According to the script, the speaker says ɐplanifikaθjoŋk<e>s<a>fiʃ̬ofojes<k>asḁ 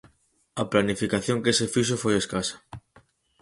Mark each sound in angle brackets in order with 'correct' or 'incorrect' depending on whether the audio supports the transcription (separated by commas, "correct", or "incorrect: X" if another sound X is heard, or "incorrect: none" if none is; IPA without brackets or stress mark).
correct, incorrect: e, correct